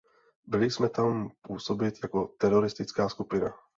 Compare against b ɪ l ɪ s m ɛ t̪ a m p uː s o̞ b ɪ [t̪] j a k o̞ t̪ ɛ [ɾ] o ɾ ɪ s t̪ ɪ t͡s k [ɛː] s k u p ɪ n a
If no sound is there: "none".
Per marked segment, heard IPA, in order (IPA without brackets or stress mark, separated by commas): t̪, ɾ, aː